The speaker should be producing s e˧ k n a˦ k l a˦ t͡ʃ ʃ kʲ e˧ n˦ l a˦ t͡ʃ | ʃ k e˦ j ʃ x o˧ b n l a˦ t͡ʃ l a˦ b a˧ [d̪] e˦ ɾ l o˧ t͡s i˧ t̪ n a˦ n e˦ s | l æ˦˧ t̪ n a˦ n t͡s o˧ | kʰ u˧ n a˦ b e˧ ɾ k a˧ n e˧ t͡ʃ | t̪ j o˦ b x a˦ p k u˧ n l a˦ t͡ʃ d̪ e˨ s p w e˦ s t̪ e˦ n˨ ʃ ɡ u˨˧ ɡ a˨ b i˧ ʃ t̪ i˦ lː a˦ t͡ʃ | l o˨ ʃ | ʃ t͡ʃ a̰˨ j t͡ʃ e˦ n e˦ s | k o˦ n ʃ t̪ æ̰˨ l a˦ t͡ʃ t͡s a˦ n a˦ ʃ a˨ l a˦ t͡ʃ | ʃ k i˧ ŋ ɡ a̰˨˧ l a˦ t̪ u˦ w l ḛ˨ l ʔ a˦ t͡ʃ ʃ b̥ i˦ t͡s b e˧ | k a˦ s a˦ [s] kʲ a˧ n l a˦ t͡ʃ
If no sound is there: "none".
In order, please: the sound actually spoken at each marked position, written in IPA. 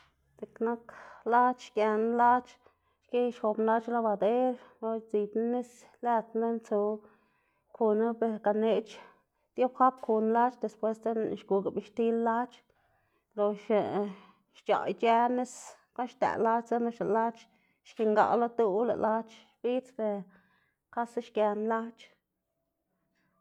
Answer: d̪, ʃ

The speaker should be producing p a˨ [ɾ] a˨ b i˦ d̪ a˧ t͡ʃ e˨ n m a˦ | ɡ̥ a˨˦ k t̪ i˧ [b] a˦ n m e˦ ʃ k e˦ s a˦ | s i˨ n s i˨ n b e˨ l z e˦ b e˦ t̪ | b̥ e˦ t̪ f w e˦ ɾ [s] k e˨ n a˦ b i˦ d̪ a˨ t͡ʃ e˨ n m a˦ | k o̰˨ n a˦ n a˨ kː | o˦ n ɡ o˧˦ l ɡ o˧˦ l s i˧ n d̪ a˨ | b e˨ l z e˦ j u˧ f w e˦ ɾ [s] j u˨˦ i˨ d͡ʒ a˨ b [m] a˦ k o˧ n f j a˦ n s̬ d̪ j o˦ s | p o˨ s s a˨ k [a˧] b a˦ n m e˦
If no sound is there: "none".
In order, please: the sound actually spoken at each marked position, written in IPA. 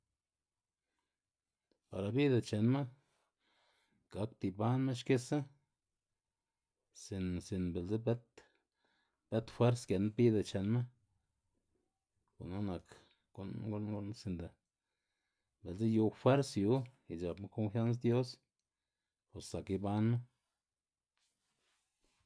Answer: ɾ, b, s, s, m, i˧

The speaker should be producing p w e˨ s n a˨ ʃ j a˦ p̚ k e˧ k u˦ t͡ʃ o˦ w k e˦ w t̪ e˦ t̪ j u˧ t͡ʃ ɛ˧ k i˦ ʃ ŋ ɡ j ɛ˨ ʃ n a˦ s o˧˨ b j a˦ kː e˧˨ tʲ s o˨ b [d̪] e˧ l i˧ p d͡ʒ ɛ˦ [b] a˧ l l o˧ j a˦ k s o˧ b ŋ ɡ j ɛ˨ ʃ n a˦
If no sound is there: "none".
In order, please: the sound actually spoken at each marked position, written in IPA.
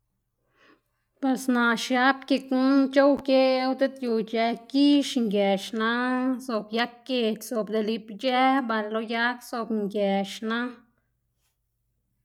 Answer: d̪, b

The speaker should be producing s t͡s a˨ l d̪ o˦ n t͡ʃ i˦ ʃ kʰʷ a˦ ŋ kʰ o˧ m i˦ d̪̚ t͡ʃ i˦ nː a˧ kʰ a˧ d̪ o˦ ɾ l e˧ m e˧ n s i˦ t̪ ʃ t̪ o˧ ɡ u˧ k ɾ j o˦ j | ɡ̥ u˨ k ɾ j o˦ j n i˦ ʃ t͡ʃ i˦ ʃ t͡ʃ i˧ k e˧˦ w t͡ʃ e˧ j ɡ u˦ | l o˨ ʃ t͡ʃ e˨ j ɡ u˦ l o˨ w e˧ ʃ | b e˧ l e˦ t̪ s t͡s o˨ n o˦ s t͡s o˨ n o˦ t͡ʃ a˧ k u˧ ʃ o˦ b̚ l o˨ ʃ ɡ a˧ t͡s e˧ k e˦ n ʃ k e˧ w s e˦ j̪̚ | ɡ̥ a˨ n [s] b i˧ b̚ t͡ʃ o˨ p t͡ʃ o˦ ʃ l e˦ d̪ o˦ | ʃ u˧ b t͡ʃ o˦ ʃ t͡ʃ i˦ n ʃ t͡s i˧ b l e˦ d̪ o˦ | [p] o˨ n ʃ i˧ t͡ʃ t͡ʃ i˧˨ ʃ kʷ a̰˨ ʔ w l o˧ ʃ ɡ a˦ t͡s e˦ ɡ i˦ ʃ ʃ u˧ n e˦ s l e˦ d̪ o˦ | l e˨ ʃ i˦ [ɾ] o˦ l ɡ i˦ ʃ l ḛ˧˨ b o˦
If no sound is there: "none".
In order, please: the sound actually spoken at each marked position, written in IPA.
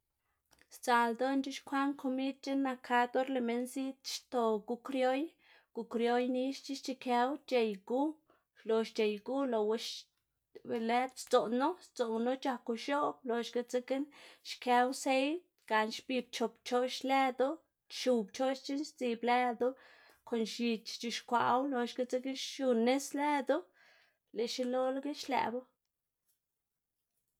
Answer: ʃ, k, l

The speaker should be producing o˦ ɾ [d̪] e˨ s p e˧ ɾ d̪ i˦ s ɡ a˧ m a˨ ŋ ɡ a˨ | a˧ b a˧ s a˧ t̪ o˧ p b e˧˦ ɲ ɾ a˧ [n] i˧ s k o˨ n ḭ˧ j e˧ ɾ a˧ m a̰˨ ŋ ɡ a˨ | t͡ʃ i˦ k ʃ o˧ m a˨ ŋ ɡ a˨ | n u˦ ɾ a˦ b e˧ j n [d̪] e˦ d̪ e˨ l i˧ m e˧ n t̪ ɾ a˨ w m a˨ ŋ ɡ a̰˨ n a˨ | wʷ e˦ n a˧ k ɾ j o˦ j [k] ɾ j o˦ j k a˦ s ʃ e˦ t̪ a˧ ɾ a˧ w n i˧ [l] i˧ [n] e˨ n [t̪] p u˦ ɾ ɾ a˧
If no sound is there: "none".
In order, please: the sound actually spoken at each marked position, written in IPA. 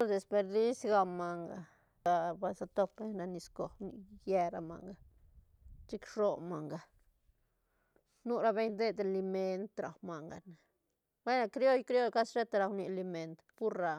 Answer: d̪, n, d̪, k, l, m, t̪

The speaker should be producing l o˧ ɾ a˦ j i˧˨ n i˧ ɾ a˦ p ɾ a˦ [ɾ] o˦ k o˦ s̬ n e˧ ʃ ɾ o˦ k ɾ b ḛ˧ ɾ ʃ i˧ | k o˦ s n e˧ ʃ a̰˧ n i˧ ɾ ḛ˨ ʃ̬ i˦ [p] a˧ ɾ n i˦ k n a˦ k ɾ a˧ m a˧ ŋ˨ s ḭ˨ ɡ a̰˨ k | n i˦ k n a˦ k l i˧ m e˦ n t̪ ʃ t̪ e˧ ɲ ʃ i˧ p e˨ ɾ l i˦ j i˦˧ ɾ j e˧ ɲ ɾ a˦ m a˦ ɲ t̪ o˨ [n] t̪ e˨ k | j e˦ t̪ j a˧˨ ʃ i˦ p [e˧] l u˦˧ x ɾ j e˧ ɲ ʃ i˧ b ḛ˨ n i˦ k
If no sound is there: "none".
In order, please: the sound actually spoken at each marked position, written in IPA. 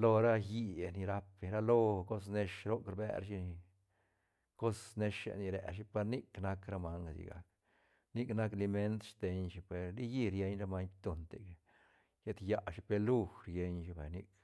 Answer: l, p, n, e˧

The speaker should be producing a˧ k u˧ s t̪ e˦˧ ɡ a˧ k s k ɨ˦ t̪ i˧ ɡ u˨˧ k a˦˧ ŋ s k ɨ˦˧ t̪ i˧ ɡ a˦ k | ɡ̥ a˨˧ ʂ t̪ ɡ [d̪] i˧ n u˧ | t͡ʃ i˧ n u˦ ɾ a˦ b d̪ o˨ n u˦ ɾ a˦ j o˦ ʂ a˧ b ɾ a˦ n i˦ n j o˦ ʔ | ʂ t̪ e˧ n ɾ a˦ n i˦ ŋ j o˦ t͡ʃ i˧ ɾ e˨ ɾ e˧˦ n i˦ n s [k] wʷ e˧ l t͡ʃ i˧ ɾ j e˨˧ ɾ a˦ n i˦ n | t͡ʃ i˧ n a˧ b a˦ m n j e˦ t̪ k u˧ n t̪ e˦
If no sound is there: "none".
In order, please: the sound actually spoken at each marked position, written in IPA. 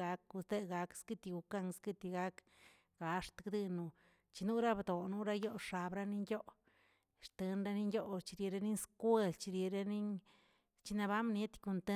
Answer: d̪, k

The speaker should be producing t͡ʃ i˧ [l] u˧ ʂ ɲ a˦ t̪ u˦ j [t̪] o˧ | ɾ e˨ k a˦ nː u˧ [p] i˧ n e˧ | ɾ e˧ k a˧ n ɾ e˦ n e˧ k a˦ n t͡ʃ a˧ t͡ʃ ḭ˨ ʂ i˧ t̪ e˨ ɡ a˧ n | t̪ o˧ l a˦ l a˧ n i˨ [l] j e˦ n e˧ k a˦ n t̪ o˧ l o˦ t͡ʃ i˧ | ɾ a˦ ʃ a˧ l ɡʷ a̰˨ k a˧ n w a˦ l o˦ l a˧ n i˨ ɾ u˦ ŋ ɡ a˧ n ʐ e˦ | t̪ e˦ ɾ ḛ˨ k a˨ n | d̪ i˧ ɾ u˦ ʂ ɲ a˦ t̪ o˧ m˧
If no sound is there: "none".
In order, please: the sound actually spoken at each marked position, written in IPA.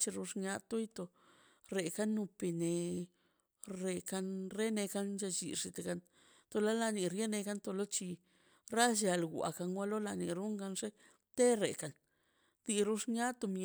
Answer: ɾ, t̪, p, ɾ

